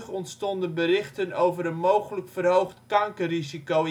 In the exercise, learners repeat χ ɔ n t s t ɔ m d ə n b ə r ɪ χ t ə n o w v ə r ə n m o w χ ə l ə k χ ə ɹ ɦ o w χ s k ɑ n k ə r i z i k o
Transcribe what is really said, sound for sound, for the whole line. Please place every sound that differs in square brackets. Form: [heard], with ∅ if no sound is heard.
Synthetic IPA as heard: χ ɔ n t s t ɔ [n] d ə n b ə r ɪ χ t ə n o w v ə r ə n m o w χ ə l ə k [f] ə [r] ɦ o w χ [t] k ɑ [ŋ] k ə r i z i k o